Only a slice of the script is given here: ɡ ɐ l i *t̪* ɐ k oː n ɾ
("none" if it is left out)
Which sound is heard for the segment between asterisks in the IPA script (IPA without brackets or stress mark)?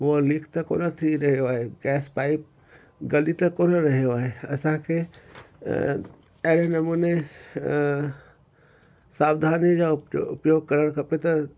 t̪